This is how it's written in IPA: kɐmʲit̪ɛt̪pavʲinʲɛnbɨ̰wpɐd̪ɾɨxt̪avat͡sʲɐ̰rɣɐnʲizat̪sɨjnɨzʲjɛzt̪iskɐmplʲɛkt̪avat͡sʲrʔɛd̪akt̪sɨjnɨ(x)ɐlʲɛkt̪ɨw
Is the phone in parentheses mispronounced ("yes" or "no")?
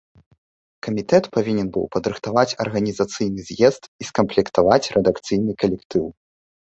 yes